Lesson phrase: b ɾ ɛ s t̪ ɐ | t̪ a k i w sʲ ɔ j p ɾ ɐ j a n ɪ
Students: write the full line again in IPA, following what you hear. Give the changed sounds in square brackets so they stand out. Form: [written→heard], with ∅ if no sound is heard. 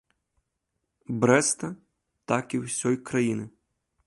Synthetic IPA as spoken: b ɾ ɛ s t̪ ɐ | t̪ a k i w sʲ ɔ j [p→k] ɾ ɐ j [a→i] n ɪ